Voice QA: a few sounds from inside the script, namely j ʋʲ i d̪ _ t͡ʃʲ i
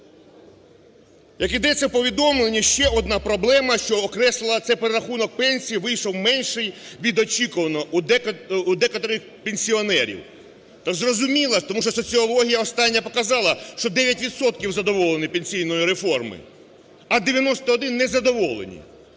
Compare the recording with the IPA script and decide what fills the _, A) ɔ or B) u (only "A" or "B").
A